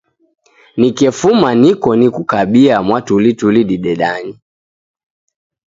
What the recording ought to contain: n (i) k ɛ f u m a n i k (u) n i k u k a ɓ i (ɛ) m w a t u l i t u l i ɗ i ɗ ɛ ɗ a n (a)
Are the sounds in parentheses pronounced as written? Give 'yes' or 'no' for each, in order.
yes, no, no, no

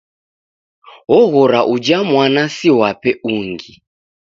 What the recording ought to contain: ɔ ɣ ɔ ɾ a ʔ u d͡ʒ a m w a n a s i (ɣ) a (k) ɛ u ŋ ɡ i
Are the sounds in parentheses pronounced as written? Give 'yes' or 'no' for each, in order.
no, no

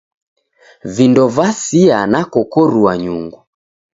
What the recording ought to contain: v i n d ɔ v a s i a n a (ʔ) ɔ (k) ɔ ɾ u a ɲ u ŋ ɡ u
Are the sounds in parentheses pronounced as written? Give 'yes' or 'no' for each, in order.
no, yes

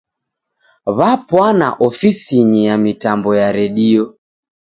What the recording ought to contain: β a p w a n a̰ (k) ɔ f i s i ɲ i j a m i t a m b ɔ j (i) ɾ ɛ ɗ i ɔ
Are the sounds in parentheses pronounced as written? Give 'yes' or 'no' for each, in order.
no, no

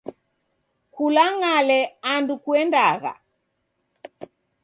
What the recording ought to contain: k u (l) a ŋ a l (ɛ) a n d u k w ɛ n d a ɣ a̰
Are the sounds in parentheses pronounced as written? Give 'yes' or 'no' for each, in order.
yes, yes

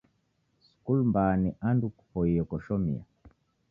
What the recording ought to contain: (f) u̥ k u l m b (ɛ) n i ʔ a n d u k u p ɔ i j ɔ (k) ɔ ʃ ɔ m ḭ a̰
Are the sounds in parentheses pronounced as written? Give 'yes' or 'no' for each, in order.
no, no, yes

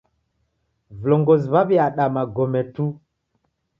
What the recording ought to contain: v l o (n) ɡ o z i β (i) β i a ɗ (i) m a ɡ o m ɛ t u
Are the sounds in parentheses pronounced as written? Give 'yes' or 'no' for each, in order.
no, no, no

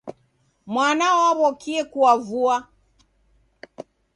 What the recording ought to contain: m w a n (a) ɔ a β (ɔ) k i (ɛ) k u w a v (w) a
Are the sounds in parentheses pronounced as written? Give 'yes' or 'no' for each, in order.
yes, yes, yes, no

